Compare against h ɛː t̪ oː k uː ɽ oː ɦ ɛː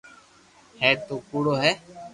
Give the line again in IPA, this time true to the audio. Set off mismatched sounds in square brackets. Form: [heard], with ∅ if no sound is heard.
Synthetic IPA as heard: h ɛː t̪ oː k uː ɽ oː ɦ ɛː

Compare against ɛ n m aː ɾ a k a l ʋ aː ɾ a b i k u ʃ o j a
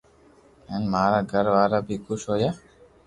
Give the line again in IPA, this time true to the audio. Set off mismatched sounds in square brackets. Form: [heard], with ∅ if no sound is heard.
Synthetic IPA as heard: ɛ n m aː ɾ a [ɡ] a [ɾ] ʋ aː ɾ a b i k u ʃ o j a

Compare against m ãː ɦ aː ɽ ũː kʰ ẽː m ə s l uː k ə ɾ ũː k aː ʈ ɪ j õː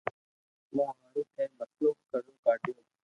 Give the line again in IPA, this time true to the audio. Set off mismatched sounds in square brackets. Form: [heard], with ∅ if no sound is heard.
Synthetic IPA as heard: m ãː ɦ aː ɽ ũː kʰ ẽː m ə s l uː k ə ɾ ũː k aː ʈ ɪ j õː

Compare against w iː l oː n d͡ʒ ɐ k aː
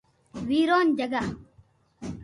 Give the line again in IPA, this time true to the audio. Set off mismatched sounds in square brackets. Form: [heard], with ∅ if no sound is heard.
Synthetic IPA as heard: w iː [ɾ] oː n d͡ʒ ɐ [ɡ] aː

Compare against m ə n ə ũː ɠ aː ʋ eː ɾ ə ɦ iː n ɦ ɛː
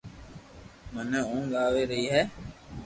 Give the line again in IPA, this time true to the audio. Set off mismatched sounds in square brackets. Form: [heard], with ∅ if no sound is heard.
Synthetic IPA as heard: m ə n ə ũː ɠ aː ʋ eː ɾ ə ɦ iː [∅] ɦ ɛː

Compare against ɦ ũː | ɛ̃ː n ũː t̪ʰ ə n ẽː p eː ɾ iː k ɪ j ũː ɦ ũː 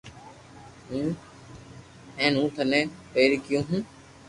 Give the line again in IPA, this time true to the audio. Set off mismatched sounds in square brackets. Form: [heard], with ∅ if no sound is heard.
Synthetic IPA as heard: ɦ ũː | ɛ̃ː n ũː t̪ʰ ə n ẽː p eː ɾ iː k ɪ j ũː ɦ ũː

